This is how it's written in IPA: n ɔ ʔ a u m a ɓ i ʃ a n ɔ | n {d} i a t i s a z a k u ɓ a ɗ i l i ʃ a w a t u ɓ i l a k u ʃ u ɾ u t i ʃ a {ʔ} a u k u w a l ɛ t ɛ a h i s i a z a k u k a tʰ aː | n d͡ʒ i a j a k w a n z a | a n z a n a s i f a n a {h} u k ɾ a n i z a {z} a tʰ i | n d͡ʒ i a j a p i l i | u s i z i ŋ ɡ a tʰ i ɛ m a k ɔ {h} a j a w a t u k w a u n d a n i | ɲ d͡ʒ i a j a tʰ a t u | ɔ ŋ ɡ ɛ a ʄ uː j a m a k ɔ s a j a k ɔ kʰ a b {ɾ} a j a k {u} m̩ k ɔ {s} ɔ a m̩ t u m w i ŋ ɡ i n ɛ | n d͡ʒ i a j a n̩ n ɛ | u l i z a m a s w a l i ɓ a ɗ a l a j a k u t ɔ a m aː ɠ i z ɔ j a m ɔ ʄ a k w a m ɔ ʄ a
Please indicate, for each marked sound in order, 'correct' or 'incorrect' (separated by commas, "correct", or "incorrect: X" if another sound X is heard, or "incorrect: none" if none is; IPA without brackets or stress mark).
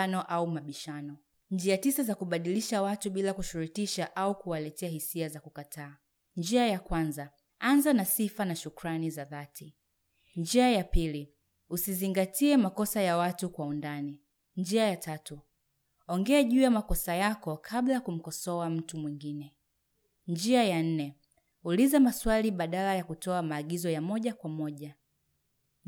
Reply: incorrect: d͡ʒ, correct, incorrect: ʃ, incorrect: ð, incorrect: s, incorrect: l, correct, correct